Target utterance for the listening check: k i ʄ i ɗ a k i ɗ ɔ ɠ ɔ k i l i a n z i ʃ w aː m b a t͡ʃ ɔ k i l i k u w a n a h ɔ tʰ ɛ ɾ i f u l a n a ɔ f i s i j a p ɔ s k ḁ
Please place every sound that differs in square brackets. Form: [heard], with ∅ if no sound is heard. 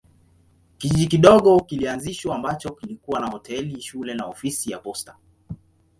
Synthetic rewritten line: k i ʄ i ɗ [i] k i ɗ ɔ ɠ ɔ k i l i a n z i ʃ w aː m b a t͡ʃ ɔ k i l i k u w a n a h ɔ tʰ ɛ [l] i [ʃ] u l [ɛ] n a ɔ f i s i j a p ɔ s [t] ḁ